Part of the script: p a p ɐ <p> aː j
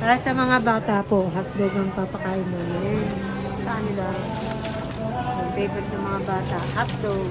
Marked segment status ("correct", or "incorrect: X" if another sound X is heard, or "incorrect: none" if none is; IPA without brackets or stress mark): incorrect: k